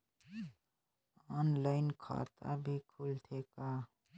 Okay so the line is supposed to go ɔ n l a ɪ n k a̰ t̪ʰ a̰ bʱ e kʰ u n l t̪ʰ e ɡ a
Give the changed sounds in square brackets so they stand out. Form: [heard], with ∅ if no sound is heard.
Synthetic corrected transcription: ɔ n l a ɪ n [kʰ] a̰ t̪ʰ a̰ bʱ [i] kʰ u [∅] l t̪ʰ e [k] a